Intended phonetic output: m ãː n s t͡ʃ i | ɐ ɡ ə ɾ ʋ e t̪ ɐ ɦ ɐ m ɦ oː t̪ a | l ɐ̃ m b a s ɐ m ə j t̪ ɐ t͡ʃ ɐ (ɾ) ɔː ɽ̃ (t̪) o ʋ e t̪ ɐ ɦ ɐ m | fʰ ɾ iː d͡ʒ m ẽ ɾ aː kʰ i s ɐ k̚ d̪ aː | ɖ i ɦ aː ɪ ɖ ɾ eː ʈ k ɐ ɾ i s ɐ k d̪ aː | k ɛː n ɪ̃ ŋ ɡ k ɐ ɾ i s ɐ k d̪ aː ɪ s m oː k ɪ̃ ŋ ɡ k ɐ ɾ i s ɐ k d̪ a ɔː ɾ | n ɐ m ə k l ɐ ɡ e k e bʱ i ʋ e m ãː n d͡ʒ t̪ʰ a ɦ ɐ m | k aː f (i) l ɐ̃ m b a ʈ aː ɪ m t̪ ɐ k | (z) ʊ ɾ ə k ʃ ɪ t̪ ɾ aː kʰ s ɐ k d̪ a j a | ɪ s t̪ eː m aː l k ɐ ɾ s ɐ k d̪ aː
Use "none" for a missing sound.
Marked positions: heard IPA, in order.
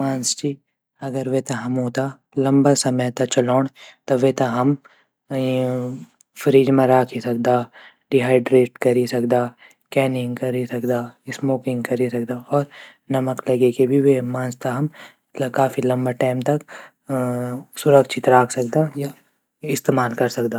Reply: l, t̪, i, s

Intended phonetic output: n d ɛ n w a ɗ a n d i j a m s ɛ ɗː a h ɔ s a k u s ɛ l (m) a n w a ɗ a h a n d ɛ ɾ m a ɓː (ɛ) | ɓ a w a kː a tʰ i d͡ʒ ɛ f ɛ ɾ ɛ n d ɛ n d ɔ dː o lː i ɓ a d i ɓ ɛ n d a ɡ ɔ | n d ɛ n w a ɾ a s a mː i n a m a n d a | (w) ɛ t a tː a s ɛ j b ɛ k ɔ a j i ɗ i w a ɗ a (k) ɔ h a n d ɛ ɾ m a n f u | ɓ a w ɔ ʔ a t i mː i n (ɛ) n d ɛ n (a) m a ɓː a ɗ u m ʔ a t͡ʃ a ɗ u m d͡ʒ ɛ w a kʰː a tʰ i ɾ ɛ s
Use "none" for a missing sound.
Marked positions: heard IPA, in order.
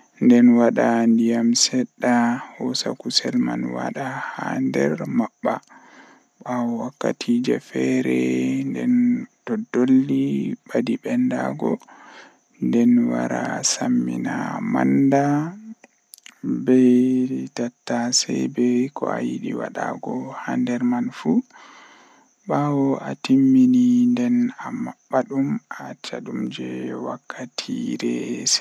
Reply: m, a, b, ɡ, i, a

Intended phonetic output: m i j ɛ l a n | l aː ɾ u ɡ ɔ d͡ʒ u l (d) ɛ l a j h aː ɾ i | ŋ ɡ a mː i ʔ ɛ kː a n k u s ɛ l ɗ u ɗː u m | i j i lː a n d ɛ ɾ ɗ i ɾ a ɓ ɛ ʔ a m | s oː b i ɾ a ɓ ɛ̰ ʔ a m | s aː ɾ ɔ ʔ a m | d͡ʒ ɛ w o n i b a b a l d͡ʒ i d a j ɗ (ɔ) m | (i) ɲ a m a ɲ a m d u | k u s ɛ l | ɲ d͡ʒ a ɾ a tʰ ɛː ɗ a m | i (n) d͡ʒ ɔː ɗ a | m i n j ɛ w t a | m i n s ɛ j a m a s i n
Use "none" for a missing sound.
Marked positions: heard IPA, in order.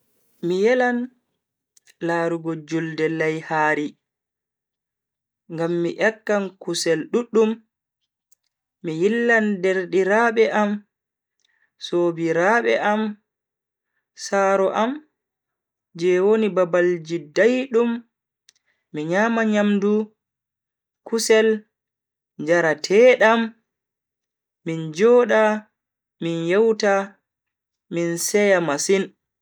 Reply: d, u, i, n

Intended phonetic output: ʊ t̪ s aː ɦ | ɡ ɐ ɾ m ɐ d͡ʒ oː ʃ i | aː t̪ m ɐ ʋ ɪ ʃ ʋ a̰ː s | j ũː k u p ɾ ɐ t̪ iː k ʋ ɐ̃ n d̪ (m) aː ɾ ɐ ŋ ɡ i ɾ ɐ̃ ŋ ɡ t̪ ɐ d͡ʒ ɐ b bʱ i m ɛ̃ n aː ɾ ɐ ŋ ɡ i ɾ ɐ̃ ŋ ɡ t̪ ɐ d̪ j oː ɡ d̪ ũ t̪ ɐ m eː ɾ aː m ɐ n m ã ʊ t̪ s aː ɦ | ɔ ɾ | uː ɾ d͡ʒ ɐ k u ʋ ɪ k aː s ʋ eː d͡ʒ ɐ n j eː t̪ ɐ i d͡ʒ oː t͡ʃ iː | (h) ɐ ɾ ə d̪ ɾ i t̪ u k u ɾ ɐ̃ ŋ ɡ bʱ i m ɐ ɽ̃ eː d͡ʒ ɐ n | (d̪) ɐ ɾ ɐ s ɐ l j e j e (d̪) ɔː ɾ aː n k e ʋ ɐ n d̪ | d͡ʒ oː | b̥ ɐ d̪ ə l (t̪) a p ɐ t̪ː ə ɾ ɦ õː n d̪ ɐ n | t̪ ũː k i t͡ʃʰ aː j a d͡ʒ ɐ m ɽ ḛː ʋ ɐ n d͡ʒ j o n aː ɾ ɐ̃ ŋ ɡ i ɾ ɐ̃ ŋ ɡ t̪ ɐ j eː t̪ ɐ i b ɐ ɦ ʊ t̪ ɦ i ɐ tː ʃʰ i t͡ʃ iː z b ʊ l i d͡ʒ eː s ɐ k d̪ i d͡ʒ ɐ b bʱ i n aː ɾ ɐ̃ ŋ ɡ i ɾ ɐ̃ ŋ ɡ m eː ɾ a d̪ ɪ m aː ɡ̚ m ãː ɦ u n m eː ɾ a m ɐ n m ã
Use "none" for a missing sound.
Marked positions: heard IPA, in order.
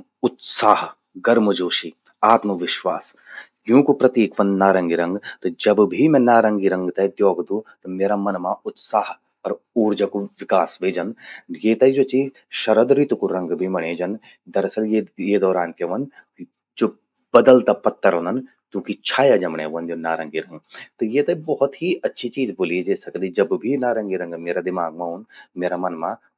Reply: n, ʃ, d̪, d̪, t̪

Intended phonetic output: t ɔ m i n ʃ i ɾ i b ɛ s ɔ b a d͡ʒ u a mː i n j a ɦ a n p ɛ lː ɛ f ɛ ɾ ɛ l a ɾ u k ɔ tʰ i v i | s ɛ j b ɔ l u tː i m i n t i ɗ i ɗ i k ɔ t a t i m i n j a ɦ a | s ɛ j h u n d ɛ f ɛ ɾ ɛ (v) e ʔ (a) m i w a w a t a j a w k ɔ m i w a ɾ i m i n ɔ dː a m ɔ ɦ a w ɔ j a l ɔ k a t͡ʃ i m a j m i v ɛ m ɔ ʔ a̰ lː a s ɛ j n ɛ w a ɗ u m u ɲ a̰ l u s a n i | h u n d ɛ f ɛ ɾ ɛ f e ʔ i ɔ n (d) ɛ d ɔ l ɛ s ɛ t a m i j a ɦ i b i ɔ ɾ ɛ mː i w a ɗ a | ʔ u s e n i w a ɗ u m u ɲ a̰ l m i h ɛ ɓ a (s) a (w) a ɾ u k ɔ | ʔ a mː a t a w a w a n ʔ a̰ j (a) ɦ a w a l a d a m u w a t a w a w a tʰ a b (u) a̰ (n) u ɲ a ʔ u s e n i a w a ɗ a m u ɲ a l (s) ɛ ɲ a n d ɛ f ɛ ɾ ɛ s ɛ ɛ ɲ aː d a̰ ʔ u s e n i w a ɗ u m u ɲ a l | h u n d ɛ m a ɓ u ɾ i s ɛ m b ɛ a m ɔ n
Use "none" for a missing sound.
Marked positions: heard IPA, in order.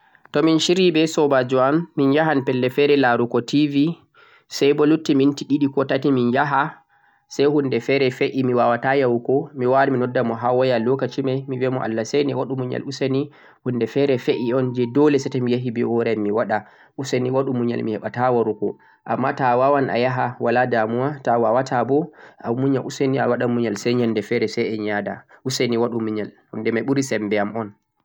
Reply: f, i, d͡ʒ, t, w, a, ɔ, m, s

